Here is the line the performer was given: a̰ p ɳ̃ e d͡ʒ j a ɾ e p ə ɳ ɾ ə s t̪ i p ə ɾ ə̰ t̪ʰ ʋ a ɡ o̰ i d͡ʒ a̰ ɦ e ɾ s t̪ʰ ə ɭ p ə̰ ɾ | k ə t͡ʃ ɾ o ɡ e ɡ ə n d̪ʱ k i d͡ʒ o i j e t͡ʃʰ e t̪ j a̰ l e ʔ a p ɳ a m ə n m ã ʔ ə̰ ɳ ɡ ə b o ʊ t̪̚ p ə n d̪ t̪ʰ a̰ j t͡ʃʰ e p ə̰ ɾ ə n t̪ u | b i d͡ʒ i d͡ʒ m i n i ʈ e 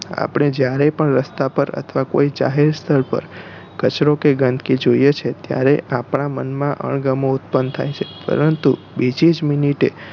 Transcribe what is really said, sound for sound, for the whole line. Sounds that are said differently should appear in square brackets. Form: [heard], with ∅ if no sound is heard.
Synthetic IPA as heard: a̰ p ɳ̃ e d͡ʒ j a ɾ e p ə ɳ ɾ ə s t̪ [a] p ə ɾ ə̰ t̪ʰ ʋ a [k] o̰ i d͡ʒ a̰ ɦ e ɾ s t̪ʰ ə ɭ p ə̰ ɾ | k ə t͡ʃ ɾ o [k] e ɡ ə n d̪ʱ k i d͡ʒ o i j e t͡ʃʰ e t̪ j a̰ [ɾ] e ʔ a p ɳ a m ə n m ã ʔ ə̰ ɳ ɡ ə [m] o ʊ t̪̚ p ə n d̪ t̪ʰ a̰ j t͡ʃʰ e p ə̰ ɾ ə n t̪ u | b i d͡ʒ i d͡ʒ m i n i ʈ e